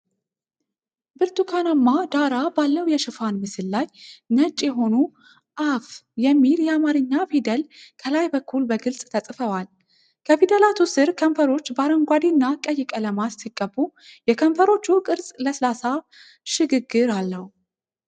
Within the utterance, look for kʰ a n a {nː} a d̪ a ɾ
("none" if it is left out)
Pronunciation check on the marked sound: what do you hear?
mː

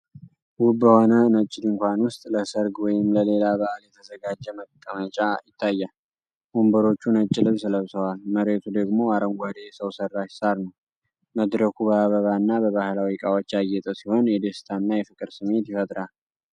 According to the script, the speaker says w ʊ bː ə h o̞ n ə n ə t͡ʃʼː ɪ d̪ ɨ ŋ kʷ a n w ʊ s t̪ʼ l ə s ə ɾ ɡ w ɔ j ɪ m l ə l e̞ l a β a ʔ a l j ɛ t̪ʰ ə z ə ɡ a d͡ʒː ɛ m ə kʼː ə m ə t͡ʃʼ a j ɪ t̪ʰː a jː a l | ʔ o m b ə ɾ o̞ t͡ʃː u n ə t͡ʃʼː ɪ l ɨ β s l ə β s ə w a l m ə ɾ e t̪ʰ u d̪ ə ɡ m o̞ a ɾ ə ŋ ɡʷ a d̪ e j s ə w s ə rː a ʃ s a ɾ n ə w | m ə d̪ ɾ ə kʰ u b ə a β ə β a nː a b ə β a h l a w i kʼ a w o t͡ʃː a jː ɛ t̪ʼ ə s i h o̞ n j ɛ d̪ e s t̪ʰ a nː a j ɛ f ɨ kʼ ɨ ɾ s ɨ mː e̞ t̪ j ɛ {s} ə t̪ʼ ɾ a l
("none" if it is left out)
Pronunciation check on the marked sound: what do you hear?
f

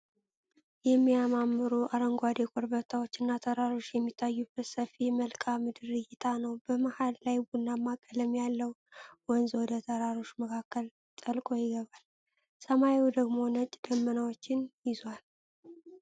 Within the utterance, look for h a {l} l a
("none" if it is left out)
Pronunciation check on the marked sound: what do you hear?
l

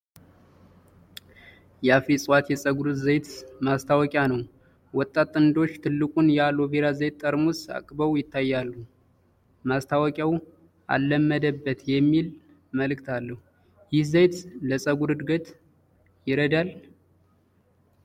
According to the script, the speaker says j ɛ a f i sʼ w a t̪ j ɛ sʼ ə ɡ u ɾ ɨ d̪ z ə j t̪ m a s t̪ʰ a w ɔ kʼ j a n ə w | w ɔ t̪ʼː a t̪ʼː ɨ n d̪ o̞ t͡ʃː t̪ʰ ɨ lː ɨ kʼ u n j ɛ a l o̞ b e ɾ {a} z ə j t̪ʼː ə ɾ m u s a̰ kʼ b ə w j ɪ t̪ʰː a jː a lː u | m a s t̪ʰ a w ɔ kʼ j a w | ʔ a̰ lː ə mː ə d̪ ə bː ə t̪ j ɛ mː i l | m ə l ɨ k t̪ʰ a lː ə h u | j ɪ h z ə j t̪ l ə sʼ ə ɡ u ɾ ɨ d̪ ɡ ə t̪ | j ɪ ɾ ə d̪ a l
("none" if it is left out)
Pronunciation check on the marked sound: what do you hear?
a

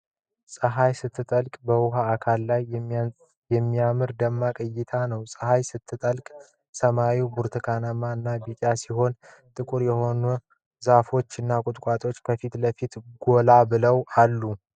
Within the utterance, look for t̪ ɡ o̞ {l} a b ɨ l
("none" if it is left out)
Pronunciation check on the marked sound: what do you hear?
l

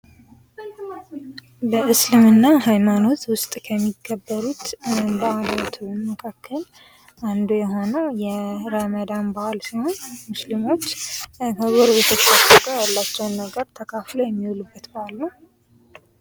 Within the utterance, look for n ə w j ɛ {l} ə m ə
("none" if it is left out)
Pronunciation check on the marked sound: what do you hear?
ɾ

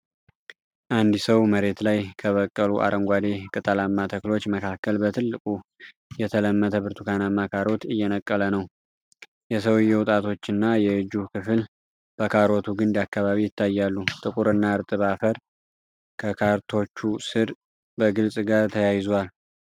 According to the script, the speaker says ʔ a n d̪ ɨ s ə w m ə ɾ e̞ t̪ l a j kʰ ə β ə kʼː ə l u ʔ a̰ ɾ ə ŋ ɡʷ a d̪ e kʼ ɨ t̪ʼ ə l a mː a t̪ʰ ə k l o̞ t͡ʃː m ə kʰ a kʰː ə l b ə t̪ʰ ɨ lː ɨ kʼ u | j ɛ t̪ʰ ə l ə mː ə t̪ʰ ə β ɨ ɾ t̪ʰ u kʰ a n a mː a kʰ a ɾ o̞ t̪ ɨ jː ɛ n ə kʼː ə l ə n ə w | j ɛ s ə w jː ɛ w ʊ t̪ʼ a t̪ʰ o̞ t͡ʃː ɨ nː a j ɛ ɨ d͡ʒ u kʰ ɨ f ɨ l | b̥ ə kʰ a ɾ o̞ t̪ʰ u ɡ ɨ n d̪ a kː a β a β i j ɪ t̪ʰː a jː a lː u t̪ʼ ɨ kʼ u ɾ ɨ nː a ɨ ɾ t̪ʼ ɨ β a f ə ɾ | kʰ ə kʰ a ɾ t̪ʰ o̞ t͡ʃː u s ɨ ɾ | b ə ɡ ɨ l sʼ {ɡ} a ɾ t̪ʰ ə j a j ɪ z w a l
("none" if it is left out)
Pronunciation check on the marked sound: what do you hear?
ɡ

